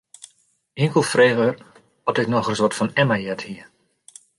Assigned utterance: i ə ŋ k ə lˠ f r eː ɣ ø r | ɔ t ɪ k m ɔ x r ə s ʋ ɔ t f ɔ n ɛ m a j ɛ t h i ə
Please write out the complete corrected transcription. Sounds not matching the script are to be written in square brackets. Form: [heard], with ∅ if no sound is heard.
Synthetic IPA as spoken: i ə ŋ k ə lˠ f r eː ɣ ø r | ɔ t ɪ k [n] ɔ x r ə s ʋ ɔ t f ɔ n ɛ m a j ɛ t h i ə

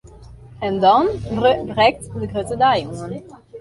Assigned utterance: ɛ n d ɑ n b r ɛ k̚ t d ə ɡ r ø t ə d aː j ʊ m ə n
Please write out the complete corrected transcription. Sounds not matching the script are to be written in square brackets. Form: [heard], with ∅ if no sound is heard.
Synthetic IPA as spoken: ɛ n d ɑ n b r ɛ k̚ t d ə ɡ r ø t ə d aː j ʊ [ŋ] ə n

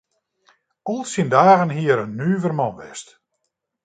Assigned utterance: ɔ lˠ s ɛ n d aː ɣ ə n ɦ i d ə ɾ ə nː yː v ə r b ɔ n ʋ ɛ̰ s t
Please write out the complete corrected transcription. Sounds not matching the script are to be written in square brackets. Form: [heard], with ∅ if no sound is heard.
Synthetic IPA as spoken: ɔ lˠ s [i] n d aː ɣ ə n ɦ i [∅] ə ɾ ə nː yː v ə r [m] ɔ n ʋ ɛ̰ s t

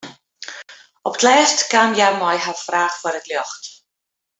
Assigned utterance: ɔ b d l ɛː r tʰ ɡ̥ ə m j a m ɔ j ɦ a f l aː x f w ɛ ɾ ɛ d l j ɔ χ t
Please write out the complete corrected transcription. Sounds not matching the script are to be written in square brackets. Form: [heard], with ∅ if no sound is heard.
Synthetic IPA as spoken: ɔ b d l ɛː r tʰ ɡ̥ [a] m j a m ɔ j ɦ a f [r] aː [χ] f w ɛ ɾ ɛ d l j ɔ χ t

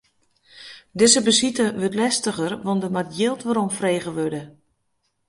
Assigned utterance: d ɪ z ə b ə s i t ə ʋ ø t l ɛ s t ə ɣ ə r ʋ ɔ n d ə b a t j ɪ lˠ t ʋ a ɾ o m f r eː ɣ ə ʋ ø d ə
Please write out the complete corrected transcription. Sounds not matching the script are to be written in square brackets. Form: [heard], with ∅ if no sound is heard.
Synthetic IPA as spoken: d ɪ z ə b ə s i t ə ʋ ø t l ɛ s t ə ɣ ə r ʋ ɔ n d ə [m] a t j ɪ lˠ t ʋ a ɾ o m f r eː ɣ ə ʋ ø d ə

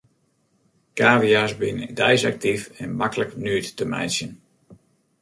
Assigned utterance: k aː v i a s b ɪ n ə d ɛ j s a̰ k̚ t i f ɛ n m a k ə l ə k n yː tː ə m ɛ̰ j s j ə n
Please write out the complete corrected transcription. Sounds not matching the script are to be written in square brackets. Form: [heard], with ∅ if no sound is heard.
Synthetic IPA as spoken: k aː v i a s b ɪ n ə d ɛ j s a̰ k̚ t i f ɛ n m a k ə l ə k n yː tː ə m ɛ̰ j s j ə n

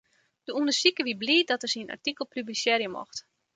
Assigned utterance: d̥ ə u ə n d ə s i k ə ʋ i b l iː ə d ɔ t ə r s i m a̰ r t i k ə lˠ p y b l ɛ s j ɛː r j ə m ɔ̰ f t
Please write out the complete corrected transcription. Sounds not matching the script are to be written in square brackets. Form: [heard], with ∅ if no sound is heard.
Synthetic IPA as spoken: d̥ ə u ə n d ə s i k ə ʋ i b l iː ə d ɔ t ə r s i [n] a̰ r t i k ə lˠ p y b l [i] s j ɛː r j ə m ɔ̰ [x] t

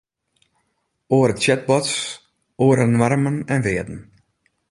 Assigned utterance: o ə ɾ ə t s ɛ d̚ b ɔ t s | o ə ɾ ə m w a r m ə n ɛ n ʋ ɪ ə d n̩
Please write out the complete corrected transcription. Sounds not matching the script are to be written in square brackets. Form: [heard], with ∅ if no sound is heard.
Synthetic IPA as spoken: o ə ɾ ə t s ɛ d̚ b ɔ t s | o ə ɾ ə [n] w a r m ə n ɛ n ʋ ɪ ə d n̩

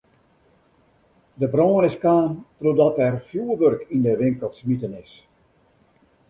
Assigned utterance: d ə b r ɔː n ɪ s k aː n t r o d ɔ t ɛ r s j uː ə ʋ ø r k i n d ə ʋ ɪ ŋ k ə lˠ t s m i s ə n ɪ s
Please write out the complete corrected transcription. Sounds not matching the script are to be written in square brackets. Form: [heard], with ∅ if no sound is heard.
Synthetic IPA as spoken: d ə b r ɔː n ɪ s k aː n t r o d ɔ t ɛ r [f] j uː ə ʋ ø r k i n d ə ʋ ɪ ŋ k ə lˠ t s m i [t] ə n ɪ s

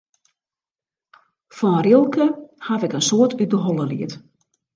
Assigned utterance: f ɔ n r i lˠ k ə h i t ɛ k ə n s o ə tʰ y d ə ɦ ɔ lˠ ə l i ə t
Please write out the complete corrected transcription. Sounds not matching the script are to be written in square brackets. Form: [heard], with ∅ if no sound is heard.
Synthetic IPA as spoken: f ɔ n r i lˠ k ə h [a] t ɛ k ə n s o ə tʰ y d ə ɦ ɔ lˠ ə l i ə t

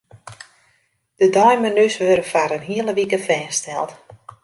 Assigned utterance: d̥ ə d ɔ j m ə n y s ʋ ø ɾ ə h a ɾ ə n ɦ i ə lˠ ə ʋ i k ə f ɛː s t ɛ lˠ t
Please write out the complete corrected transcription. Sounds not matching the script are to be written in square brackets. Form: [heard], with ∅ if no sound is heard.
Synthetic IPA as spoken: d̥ ə d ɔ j m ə n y s ʋ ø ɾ ə [f] a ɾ ə n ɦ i ə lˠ ə ʋ i k ə f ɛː s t ɛ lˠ t

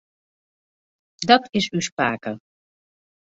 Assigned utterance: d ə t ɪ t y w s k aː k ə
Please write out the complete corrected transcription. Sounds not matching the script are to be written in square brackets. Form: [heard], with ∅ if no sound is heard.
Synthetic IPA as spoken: d [ɑ] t ɪ [s] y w s [p] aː k ə

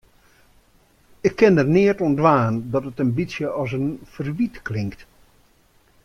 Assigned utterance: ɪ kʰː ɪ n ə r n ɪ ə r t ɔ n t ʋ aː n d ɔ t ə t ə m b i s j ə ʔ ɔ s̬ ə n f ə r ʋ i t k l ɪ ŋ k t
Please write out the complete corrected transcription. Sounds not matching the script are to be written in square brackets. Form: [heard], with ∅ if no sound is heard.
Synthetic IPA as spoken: ɪ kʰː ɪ n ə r n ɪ ə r t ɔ n [d] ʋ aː n d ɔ t ə t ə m b i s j ə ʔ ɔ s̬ ə n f ə r ʋ i t k l ɪ ŋ k t

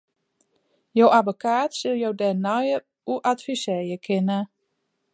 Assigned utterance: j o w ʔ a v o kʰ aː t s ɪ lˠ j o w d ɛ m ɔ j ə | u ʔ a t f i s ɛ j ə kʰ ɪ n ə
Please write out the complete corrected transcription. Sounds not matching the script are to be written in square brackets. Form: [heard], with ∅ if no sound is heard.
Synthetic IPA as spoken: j o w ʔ a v o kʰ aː t s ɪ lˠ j o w d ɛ [n] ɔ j ə | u ʔ a t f i s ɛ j ə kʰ ɪ n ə

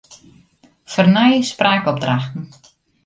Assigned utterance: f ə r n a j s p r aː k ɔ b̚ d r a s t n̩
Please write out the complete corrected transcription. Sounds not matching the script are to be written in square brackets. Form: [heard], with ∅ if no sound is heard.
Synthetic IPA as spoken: f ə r n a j s p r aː k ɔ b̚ d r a [x] t n̩

